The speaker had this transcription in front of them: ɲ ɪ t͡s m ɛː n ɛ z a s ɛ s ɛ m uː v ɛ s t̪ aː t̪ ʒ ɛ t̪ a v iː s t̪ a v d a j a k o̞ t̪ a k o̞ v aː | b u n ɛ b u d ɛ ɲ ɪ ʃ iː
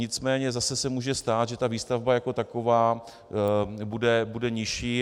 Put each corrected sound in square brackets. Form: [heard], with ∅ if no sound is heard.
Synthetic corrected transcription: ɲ ɪ t͡s m ɛː [ɲ] ɛ z a s ɛ s ɛ m uː [ʒ] ɛ s t̪ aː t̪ ʒ ɛ t̪ a v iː s t̪ a v [b] a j a k o̞ t̪ a k o̞ v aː | b u [d] ɛ b u d ɛ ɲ ɪ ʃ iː